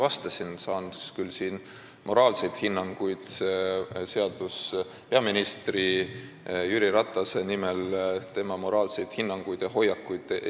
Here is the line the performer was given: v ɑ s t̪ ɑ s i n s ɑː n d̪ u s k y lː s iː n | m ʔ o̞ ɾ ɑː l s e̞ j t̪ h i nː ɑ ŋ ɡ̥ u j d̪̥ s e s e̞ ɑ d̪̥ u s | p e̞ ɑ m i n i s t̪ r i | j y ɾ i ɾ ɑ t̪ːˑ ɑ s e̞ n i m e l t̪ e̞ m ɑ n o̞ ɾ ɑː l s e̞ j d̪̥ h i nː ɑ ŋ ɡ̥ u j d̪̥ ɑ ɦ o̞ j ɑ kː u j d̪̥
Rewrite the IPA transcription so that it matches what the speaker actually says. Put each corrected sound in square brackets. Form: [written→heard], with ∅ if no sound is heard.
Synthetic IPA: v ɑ s t̪ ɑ s i n s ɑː n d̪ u s k y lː s iː n | m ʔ o̞ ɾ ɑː l s e̞ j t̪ h i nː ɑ ŋ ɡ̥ u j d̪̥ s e s e̞ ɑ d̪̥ u s | p e̞ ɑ m i n i s t̪ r i | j y ɾ i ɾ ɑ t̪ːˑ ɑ s e̞ n i m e l t̪ e̞ m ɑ [n→m] o̞ ɾ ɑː l s e̞ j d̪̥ h i nː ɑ ŋ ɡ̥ u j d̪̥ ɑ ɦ o̞ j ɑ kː u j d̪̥